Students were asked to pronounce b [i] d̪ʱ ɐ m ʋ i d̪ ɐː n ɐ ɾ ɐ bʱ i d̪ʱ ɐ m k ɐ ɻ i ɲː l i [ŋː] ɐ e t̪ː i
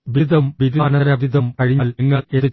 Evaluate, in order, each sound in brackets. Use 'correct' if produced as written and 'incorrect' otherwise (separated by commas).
correct, correct